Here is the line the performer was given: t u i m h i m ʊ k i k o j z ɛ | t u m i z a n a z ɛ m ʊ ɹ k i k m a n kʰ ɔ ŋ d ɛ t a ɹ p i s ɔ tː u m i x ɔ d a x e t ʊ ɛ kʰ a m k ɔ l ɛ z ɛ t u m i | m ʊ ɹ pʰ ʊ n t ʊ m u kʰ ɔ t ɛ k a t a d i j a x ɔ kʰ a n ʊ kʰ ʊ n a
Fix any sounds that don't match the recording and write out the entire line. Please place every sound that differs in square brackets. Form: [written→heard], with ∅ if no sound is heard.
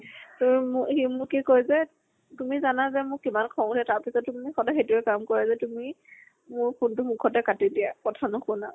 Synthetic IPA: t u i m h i m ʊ k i k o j z ɛ | t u m i z a n a z ɛ m ʊ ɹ k i [k→∅] m a n kʰ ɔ ŋ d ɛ t a ɹ p i s ɔ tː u m i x ɔ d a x e t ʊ ɛ [kʰ→k] a m k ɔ [l→ɹ] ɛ z ɛ t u m i | m ʊ ɹ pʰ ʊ n t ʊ m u kʰ ɔ t ɛ k a t [a→i] d i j a [x→k] ɔ [kʰ→tʰ] a n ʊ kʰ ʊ n a